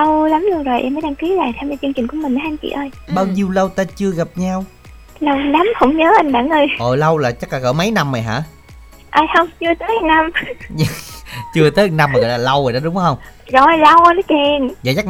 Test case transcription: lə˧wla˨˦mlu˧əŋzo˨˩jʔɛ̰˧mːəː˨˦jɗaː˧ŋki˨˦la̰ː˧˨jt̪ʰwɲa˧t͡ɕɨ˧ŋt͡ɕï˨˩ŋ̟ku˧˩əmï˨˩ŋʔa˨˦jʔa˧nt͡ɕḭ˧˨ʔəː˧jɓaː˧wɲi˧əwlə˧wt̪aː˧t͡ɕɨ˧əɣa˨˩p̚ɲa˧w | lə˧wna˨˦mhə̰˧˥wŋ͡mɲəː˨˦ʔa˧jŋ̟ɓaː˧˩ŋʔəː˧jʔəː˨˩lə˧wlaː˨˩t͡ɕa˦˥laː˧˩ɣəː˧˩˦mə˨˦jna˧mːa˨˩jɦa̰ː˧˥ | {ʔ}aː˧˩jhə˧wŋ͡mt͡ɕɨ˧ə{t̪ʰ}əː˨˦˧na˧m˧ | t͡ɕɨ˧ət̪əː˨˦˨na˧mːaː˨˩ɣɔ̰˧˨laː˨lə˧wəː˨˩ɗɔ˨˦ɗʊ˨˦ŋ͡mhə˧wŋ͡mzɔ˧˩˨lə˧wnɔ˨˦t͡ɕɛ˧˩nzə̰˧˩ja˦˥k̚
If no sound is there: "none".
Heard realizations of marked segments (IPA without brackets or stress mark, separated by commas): ʔ, t̪